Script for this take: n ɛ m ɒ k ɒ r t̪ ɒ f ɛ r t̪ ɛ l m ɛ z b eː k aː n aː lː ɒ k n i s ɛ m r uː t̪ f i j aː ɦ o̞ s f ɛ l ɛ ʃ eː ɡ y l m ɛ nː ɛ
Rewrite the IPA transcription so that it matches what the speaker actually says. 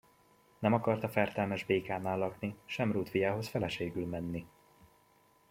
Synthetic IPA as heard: n ɛ m ɒ k ɒ r t̪ ɒ f ɛ r t̪ ɛ l m ɛ ʒ b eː k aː n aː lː ɒ k n i ʃ ɛ m r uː t̪ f i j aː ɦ o̞ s f ɛ l ɛ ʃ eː ɡ y l m ɛ nː i